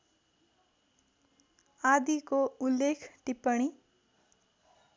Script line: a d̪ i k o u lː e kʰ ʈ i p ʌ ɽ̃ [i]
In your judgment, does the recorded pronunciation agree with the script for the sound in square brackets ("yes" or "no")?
yes